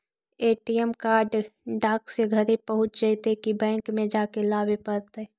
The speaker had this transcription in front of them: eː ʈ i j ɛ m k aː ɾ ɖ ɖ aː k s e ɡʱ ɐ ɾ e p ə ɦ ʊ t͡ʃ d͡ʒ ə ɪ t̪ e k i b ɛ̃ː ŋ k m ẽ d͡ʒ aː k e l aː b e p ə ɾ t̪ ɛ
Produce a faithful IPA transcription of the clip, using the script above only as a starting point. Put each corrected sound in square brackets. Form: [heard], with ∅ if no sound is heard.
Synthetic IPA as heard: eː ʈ i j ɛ m k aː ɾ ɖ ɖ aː k s e ɡʱ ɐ ɾ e p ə ɦ ʊ t͡ʃ d͡ʒ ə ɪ t̪ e k i b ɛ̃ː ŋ k m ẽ d͡ʒ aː k e l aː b e p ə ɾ t̪ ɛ